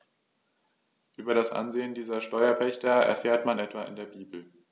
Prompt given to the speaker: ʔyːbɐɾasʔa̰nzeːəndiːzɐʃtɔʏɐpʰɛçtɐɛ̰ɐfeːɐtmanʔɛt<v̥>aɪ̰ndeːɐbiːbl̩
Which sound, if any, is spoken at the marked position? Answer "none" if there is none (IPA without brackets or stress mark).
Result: v̥